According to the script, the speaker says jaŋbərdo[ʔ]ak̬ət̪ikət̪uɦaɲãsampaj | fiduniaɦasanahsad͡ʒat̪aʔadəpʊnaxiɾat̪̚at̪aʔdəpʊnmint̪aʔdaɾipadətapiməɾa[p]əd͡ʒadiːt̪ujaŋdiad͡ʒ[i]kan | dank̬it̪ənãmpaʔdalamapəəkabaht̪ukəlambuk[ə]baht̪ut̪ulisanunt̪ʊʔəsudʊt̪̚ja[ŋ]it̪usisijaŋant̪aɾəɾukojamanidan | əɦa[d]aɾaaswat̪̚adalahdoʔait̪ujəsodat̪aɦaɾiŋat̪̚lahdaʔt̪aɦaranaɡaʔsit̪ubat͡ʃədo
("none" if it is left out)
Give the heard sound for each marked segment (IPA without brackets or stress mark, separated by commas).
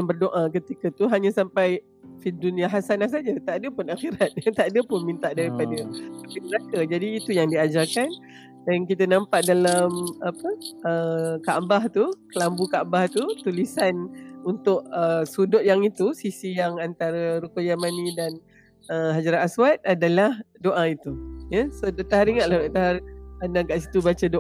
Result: ʔ, k, a, a, ŋ, d͡ʒ